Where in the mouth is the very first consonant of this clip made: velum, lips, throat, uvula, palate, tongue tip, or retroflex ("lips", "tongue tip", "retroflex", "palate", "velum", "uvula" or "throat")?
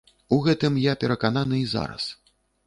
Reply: velum